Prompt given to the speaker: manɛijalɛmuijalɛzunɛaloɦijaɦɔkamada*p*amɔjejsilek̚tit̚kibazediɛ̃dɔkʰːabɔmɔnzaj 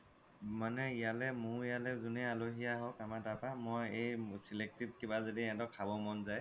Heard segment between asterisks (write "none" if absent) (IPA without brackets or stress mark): p